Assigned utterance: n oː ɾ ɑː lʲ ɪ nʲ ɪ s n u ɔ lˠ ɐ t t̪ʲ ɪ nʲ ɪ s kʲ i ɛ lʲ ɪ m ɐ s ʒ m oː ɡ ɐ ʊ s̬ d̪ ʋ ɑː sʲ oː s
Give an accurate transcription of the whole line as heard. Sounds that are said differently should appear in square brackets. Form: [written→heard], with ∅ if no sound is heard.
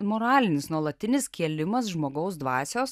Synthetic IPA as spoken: [n→m] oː ɾ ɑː lʲ ɪ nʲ ɪ s n u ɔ lˠ ɐ t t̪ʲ ɪ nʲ ɪ s kʲ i ɛ lʲ ɪ m ɐ s ʒ m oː ɡ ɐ ʊ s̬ d̪ ʋ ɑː sʲ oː s